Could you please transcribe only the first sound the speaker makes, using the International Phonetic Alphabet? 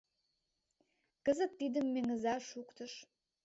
k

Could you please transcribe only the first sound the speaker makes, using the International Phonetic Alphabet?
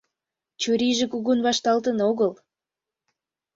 t͡ɕ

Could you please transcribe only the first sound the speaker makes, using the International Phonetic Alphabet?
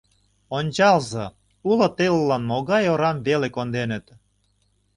o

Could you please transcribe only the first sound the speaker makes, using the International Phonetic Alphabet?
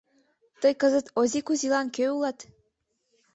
t̪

